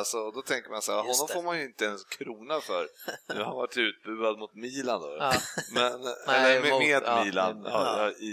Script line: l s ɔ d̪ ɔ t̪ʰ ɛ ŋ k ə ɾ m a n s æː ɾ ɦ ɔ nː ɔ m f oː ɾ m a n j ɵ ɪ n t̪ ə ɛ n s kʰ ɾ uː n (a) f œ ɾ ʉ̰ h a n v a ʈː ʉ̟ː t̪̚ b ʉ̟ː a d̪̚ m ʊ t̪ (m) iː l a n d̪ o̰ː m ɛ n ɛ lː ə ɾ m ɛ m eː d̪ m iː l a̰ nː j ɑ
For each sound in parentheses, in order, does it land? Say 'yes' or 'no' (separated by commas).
yes, yes